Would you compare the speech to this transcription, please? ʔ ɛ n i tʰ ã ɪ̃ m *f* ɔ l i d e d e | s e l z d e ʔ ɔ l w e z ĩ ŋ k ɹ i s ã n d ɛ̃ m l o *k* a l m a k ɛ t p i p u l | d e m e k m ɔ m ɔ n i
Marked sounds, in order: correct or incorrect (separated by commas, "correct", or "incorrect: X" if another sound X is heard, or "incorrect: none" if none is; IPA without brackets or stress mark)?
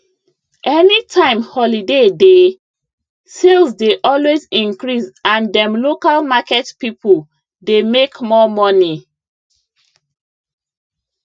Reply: incorrect: h, correct